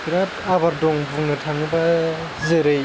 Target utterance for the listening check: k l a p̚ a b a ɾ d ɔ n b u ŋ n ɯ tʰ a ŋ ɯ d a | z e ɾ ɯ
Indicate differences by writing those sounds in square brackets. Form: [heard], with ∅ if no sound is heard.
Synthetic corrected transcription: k [ɾ] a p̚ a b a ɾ d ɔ [ŋ] b u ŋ n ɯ tʰ a ŋ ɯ [b] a | z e ɾ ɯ